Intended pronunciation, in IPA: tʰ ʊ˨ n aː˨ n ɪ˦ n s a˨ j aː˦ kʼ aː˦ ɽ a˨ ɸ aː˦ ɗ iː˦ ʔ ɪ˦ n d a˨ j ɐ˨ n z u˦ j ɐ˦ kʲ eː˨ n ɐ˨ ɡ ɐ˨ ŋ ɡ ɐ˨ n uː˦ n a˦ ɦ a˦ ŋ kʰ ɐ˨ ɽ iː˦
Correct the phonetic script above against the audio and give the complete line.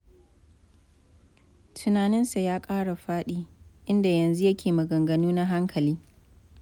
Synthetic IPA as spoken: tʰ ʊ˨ n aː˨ n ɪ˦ n s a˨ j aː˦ kʼ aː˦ ɽ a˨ ɸ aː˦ ɗ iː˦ ʔ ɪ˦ n d a˨ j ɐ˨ n z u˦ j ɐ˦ kʲ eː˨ m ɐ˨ ɡ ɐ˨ ŋ ɡ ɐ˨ n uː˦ n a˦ ɦ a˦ ŋ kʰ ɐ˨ l iː˦